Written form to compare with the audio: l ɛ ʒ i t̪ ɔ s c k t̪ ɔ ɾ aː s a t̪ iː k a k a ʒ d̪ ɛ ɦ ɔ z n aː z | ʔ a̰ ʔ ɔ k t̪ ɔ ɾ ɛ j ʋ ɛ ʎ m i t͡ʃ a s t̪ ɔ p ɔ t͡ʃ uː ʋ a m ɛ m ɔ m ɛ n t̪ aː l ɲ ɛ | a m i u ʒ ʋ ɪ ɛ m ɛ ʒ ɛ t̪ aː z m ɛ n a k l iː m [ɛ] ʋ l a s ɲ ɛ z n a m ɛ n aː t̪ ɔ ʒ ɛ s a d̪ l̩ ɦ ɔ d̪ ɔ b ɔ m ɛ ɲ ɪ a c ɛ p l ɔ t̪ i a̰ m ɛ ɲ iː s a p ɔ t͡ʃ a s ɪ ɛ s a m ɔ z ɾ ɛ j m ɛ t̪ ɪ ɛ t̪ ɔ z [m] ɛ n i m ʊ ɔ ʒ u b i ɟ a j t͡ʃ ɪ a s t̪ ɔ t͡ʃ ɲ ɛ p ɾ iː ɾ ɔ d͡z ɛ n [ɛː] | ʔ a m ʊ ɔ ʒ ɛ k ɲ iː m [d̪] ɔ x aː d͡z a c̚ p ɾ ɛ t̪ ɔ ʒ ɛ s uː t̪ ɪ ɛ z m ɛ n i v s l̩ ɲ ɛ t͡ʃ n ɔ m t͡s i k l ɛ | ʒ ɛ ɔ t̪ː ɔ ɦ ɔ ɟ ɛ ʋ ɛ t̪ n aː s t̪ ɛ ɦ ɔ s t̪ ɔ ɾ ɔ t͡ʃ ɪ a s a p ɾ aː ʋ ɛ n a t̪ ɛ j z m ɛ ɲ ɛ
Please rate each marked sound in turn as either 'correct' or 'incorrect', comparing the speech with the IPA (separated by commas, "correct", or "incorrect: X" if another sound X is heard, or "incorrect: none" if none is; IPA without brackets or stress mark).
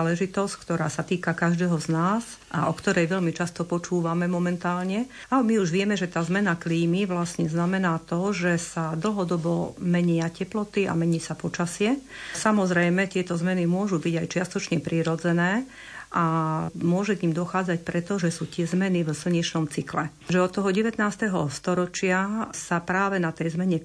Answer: incorrect: i, correct, correct, correct